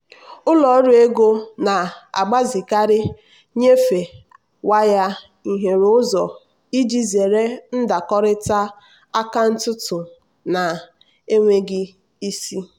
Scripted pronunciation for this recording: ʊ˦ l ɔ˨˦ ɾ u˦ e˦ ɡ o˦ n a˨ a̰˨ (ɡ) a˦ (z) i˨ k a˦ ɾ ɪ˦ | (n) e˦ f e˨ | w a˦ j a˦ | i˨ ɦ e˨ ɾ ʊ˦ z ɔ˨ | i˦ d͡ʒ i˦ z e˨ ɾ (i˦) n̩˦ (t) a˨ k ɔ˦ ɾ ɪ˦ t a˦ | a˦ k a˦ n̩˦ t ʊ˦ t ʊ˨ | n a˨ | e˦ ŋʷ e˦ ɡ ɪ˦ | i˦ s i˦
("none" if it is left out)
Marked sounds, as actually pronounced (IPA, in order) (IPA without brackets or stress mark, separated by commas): ɡ͡b, z, ɲ, e˦, d